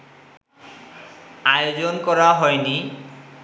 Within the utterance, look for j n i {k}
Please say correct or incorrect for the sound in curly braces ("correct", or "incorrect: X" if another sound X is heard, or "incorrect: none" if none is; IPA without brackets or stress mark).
incorrect: none